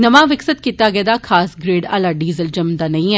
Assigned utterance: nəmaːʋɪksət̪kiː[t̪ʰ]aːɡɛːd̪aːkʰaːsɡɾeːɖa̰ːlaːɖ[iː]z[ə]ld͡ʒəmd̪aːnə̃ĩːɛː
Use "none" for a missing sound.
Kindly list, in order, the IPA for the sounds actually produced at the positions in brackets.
t̪, iː, ə

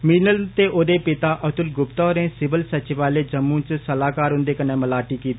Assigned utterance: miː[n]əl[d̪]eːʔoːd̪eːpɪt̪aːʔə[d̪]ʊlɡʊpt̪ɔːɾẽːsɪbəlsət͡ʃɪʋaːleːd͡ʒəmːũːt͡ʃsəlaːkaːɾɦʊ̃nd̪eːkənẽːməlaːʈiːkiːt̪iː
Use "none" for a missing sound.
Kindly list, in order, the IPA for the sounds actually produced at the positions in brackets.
n, t̪, t̪

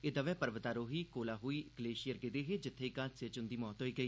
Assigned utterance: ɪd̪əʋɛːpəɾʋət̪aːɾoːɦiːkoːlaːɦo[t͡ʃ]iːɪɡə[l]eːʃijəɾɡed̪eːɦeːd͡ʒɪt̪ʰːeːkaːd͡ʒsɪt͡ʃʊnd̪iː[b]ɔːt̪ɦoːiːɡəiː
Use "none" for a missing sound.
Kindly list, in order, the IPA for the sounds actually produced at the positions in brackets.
none, l, m

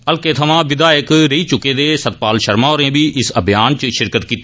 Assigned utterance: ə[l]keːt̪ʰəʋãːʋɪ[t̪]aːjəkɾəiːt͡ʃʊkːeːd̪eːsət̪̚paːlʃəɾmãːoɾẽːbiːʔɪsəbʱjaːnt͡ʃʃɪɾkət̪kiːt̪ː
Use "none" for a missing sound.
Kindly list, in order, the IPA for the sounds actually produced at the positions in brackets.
l, d̪

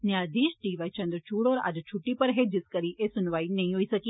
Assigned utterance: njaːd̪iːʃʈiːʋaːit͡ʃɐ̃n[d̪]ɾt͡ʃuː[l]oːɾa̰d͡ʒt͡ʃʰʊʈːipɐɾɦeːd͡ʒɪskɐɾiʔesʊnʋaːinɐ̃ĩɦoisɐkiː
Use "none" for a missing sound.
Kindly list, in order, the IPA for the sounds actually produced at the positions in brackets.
d̪, ɽ

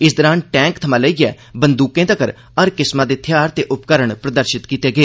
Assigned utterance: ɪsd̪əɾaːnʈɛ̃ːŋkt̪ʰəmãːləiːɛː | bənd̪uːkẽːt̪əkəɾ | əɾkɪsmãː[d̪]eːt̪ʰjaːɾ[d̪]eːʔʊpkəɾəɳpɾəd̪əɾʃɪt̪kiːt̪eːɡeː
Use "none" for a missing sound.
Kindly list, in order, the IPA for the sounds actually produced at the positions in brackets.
d̪, t̪

